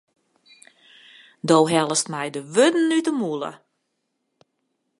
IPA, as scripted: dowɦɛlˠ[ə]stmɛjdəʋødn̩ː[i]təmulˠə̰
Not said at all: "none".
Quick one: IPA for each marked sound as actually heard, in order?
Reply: ə, y

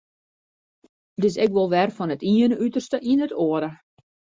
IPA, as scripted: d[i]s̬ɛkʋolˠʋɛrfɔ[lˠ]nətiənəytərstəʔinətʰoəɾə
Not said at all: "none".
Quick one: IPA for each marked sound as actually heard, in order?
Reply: ɪ, none

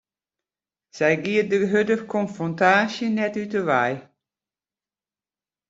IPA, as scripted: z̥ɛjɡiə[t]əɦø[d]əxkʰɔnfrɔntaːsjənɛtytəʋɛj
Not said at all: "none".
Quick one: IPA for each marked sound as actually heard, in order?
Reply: d, d

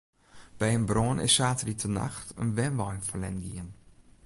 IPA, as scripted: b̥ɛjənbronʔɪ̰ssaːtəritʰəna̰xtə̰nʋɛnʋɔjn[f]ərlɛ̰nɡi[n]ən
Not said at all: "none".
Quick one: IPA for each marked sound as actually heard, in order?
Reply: f, none

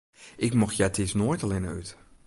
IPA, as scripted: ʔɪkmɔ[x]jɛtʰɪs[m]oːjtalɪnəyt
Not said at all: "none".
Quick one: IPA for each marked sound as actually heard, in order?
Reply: x, n

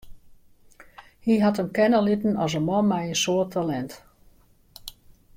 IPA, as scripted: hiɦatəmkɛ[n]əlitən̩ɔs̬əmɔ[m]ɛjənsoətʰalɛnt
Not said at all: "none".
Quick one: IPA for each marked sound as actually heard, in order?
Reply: n, m

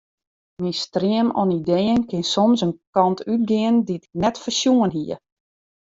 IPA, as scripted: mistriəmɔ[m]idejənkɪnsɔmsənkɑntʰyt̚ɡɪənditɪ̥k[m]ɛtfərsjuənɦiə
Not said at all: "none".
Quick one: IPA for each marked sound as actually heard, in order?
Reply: n, n

